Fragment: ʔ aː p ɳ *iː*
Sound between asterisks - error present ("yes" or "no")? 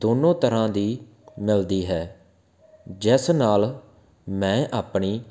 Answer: no